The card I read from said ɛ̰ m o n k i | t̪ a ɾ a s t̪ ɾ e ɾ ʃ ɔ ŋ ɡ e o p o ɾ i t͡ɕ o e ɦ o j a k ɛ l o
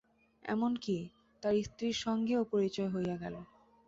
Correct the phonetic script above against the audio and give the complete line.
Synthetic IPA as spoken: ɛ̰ m o n k i | t̪ a ɾ i s t̪ ɾ i ɾ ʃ ɔ ŋ ɡ e o p o ɾ i t͡ɕ ɔ e ɦ o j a ɡ ɛ l o